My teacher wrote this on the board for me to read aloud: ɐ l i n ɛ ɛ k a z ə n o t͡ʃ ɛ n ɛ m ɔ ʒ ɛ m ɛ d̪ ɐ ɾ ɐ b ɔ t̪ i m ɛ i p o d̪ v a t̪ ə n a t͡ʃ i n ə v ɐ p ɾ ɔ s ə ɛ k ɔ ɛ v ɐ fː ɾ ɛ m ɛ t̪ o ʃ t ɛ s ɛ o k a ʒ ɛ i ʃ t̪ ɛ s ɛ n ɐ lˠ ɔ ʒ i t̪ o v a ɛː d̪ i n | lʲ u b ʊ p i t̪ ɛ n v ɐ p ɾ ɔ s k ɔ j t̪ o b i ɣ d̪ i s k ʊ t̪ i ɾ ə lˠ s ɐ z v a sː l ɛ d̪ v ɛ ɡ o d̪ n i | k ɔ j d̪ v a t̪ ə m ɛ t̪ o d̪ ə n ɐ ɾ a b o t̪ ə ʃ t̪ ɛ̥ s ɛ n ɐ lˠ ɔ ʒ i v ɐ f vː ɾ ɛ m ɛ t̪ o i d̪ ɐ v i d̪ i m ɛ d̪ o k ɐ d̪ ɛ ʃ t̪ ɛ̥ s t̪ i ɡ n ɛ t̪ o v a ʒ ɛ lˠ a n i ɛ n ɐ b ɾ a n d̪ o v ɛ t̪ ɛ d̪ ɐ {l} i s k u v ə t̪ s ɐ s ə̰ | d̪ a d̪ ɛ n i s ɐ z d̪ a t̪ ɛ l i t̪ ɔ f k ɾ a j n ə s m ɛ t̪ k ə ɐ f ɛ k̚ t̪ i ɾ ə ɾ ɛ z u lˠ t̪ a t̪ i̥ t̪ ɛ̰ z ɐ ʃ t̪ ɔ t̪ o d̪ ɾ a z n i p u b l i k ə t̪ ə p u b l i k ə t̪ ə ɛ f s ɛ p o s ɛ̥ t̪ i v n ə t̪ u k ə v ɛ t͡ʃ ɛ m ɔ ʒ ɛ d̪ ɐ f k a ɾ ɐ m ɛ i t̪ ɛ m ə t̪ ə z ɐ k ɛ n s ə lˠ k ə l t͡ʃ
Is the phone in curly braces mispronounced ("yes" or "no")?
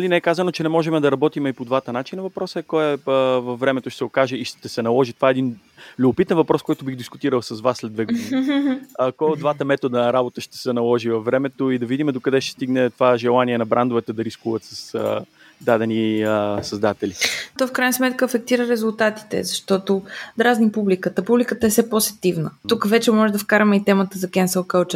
yes